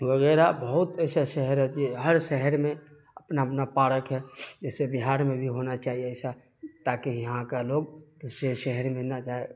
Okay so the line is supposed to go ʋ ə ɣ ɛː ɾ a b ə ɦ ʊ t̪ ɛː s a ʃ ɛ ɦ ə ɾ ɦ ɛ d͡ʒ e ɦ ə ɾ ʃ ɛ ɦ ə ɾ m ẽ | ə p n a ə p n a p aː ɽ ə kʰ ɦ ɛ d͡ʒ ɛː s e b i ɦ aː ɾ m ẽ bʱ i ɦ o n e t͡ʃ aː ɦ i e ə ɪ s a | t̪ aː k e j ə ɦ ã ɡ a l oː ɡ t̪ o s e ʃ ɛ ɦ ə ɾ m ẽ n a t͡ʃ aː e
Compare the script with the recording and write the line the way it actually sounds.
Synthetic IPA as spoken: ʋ ə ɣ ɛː ɾ a b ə ɦ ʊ t̪ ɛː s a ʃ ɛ ɦ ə ɾ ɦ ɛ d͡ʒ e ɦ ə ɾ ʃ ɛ ɦ ə ɾ m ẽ | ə p n a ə p n a p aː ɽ ə k ɦ ɛ d͡ʒ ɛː s e b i ɦ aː ɾ m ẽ bʱ i ɦ o n a t͡ʃ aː ɦ i e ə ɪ s a | t̪ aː k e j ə ɦ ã k a l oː ɡ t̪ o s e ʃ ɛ ɦ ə ɾ m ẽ n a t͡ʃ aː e